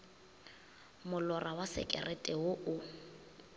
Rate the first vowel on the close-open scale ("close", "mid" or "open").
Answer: close